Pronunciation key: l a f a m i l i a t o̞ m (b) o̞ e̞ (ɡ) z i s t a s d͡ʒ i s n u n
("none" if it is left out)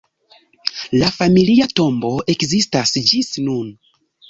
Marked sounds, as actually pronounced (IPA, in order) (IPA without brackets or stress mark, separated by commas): b, k